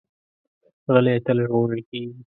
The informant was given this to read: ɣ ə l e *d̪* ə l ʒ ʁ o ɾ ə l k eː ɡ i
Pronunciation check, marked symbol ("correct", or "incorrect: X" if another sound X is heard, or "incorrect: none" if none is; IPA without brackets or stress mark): incorrect: t̪